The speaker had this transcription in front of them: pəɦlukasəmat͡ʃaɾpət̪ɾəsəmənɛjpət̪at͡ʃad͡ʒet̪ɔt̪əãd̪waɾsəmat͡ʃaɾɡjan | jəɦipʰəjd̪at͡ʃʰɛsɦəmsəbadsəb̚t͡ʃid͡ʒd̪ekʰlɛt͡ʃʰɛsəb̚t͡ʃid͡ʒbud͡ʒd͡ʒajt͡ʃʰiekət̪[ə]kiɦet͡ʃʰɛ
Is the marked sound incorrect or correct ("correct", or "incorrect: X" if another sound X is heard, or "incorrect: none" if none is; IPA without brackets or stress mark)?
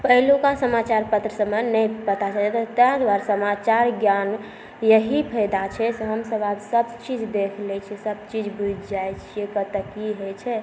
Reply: correct